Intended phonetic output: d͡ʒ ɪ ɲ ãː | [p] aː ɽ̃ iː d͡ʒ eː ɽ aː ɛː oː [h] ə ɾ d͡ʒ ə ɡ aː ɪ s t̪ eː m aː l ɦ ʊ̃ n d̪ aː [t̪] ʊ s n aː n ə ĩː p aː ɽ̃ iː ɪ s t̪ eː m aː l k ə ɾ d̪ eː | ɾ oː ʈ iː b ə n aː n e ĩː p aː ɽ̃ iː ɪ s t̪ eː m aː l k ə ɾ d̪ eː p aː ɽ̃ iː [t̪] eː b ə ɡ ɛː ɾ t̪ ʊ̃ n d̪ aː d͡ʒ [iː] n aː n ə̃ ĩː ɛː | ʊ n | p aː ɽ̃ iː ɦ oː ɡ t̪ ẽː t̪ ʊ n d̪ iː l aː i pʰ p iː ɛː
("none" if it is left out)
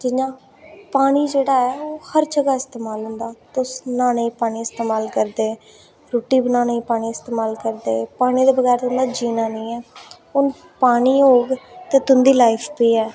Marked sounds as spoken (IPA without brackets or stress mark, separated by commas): p, h, t̪, d̪, iː